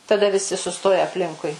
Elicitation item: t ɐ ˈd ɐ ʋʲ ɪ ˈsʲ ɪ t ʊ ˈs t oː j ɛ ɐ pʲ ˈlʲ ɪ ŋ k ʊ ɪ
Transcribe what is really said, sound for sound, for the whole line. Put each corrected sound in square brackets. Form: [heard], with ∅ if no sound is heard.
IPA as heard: t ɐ ˈd ɐ ʋʲ ɪ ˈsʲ ɪ [s] ʊ ˈs t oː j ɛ ɐ pʲ ˈlʲ ɪ ŋ k ʊ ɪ